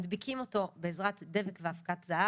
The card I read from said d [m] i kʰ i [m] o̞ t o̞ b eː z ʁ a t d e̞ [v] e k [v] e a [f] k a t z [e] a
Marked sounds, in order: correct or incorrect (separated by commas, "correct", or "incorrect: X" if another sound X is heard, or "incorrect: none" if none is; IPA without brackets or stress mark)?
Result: incorrect: b, correct, correct, correct, correct, incorrect: a